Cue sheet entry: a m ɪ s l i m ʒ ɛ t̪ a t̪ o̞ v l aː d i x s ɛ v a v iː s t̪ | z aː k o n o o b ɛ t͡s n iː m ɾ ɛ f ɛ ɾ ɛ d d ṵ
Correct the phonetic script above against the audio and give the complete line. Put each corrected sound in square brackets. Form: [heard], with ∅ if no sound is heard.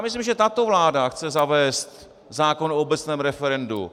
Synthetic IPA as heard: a m ɪ s l i m ʒ ɛ t̪ a t̪ o̞ v l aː d [a] x [t͡s] ɛ [z] a v [ɛː] s t̪ | z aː k o n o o b ɛ t͡s n [ɛː] m ɾ ɛ f ɛ ɾ ɛ [n] d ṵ